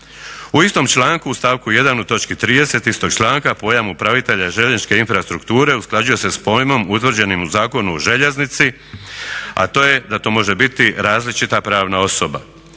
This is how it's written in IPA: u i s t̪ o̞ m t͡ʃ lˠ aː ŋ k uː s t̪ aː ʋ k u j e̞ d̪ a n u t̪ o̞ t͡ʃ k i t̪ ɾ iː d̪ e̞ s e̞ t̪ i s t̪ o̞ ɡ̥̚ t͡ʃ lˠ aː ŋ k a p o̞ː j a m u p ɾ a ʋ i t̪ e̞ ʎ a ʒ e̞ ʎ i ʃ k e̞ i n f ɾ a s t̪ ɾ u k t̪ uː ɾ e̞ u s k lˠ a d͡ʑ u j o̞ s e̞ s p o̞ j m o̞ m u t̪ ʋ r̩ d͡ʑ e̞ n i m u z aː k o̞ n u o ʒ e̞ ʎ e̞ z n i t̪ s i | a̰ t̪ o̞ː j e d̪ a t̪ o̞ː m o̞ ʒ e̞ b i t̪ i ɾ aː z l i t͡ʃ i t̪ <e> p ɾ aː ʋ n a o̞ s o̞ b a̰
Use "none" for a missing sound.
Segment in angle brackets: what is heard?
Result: a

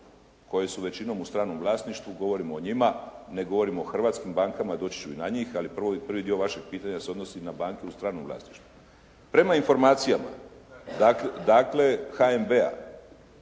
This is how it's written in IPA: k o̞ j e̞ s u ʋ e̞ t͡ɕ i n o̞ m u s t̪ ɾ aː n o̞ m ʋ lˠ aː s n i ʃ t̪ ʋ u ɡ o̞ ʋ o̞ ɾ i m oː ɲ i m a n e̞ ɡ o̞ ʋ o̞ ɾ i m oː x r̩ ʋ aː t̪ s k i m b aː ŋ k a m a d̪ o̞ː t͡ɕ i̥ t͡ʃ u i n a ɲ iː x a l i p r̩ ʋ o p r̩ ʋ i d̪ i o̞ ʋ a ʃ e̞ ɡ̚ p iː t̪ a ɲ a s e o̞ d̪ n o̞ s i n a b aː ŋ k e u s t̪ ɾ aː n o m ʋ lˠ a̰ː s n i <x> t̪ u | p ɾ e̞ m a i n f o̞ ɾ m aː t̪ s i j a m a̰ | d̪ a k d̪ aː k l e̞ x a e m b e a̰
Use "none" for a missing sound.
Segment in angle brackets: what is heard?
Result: ʃ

